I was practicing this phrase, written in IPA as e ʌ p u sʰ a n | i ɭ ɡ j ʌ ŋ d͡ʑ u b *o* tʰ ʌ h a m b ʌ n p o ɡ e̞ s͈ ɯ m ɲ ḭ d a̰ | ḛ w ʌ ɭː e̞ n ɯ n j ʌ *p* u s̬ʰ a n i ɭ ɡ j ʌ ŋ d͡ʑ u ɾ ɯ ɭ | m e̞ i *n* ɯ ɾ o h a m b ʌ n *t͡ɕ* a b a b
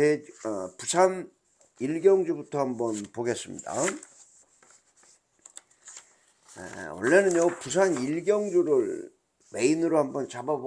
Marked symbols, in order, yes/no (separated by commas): no, yes, yes, yes